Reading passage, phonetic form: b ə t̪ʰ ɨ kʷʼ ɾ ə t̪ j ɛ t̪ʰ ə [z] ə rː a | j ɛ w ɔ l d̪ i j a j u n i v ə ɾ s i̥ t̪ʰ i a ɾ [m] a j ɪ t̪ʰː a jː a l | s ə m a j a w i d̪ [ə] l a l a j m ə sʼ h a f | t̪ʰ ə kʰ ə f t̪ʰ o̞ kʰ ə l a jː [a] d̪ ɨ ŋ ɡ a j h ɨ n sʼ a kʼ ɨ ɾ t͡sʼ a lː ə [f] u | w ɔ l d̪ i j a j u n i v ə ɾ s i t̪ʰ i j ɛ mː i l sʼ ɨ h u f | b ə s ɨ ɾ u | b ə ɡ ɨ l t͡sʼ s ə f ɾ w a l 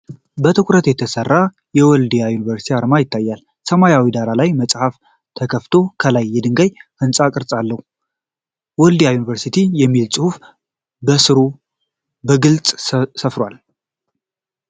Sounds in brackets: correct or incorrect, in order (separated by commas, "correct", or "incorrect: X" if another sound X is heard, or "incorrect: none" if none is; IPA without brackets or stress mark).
incorrect: s, correct, incorrect: a, incorrect: ɛ, incorrect: h